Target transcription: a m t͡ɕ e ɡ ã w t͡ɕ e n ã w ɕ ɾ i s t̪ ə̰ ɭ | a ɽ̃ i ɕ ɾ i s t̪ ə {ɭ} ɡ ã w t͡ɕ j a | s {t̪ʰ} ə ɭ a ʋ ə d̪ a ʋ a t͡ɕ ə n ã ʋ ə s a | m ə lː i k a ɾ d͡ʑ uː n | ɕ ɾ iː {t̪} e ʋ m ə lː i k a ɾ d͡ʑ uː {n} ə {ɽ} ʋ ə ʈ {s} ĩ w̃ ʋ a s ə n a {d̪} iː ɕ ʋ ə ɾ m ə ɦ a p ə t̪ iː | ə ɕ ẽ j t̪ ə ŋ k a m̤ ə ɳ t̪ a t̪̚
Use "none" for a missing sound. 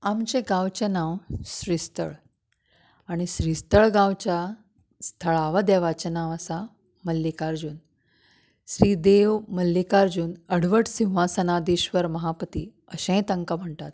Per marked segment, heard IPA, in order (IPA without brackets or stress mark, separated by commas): ɭ, t̪ʰ, d̪, n, ɽ, s, d̪